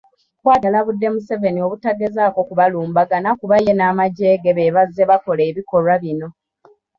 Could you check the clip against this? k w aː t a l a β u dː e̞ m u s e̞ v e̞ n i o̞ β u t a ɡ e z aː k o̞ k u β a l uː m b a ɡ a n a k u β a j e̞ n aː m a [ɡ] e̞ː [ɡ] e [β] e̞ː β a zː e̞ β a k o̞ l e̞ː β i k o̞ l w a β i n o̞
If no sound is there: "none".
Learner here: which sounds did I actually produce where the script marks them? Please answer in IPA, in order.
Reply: ɟ, ɡ, β

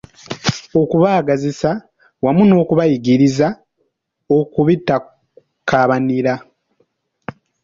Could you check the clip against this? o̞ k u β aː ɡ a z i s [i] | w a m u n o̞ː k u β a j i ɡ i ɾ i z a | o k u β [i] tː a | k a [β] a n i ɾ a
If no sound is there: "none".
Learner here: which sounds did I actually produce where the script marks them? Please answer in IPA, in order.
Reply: a, i, β

